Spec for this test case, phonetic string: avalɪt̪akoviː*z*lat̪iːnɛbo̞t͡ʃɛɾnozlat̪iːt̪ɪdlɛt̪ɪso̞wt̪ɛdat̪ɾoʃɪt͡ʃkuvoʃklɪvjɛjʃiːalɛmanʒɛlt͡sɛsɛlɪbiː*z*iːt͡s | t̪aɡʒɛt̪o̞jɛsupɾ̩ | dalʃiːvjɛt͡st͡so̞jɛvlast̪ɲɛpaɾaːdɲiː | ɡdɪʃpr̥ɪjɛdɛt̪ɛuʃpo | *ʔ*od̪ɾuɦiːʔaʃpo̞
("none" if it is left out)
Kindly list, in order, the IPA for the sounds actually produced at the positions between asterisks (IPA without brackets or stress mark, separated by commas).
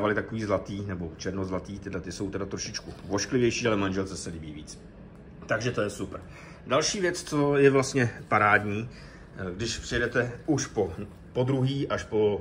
z, v, p